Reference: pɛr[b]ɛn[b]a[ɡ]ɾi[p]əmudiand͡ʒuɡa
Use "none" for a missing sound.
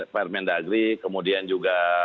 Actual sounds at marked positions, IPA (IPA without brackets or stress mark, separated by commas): m, d, ɡ, k